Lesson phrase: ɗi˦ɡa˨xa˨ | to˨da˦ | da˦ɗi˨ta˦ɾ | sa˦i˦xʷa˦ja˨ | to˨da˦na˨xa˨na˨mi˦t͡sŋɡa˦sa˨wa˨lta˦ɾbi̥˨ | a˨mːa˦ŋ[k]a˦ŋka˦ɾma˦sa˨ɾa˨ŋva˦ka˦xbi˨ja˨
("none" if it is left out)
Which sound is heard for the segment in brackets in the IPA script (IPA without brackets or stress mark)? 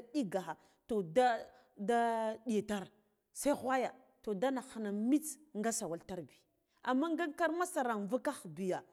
ɡ